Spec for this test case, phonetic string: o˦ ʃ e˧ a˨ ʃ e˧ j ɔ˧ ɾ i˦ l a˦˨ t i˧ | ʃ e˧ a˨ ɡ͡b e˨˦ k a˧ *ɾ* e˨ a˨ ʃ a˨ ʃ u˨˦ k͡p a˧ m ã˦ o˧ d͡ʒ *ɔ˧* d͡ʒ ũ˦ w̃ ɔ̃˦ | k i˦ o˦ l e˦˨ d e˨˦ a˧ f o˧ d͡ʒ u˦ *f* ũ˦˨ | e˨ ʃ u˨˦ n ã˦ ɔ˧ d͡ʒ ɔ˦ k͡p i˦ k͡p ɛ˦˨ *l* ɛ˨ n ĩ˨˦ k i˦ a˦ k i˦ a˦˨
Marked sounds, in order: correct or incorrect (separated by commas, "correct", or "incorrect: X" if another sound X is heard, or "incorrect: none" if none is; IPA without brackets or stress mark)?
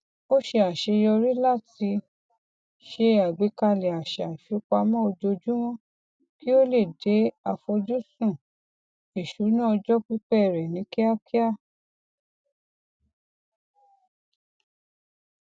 incorrect: l, incorrect: o˧, incorrect: s, incorrect: ɾ